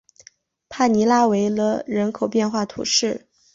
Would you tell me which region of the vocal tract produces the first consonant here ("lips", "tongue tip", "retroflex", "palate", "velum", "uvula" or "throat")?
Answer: lips